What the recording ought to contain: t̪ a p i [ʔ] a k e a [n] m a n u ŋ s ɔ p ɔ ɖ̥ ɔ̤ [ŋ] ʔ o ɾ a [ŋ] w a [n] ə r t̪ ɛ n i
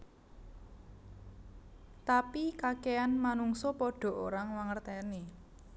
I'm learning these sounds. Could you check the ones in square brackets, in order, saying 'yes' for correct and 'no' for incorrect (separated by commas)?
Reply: no, yes, no, yes, no